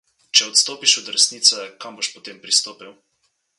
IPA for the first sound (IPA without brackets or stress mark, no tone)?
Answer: t͡ʃ